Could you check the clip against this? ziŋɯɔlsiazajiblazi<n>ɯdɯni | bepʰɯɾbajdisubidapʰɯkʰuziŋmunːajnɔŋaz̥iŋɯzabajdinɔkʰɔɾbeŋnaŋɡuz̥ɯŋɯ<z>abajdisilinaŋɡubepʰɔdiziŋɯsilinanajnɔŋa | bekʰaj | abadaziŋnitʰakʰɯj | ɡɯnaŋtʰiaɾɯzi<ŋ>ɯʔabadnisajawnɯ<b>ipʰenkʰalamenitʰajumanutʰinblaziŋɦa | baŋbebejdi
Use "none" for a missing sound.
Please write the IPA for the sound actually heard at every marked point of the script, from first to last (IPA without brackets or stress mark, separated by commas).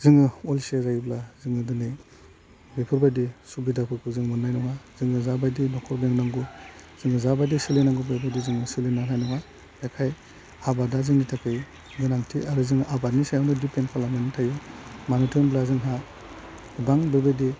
ŋ, z, ŋ, d